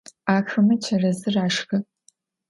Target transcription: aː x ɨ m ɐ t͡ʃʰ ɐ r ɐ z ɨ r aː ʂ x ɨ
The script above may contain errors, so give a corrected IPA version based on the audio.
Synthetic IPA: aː x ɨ m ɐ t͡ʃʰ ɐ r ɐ z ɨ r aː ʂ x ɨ